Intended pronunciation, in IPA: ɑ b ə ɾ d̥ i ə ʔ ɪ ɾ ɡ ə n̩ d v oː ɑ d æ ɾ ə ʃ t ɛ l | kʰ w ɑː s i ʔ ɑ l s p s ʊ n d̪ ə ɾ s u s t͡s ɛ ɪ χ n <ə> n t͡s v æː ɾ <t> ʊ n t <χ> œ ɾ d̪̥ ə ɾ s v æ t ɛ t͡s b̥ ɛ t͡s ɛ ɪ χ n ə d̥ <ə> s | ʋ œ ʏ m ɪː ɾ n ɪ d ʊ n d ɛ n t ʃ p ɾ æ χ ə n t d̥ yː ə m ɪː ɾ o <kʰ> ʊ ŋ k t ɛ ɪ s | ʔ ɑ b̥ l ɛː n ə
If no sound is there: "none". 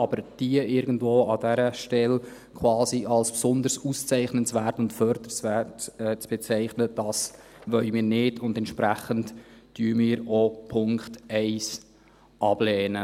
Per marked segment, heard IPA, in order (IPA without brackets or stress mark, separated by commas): ə, t, f, ɑ, pʰ